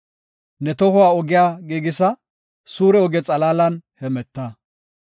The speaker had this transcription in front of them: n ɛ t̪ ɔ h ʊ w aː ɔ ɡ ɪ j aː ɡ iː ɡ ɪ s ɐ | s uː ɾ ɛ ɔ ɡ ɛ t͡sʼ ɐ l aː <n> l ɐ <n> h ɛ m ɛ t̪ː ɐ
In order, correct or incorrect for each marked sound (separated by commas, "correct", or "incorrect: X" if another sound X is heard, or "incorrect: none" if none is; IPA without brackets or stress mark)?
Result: incorrect: none, correct